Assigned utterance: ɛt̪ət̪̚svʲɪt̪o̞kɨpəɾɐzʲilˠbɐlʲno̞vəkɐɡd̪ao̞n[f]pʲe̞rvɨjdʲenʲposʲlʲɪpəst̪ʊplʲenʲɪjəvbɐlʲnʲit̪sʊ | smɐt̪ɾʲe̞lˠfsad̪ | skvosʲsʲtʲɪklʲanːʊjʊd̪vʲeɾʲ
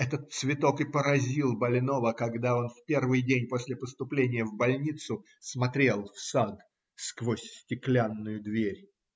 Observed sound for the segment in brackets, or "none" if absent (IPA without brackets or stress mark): f